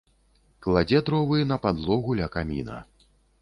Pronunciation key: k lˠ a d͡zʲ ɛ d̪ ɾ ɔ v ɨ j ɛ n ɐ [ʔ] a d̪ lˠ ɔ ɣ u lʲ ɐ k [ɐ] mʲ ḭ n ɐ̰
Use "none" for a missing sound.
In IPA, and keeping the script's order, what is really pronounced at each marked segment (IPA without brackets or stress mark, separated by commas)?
p, a